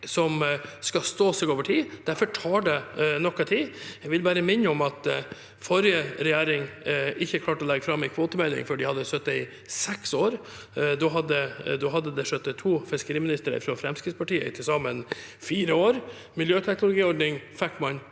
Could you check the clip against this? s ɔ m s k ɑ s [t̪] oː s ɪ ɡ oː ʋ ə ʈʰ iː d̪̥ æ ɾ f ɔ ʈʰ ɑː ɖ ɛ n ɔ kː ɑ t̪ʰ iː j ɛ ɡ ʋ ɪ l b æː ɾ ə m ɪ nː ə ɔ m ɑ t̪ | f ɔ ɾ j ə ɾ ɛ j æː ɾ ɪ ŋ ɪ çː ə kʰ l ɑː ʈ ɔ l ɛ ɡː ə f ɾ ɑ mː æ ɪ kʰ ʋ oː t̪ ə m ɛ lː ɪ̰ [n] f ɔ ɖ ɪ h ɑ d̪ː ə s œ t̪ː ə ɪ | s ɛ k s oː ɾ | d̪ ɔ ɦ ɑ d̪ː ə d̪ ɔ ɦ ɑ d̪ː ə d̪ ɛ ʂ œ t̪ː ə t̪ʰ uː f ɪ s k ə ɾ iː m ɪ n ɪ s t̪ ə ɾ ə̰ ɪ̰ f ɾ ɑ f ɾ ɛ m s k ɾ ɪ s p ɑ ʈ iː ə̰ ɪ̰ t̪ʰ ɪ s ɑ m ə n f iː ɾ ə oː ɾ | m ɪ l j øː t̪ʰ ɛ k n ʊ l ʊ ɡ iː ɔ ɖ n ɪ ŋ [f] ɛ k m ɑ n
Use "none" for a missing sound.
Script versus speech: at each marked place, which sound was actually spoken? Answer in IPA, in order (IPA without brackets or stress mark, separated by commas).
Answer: t̪, ŋ, f